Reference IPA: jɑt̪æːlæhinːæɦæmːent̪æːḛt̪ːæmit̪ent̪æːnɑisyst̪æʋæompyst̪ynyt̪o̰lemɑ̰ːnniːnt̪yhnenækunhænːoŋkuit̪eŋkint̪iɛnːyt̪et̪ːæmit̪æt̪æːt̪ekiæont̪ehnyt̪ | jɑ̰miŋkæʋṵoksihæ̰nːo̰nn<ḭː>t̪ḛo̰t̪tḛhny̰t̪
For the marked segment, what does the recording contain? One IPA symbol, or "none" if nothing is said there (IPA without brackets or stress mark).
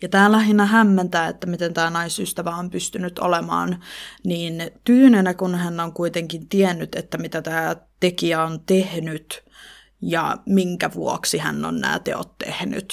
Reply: æ̰ː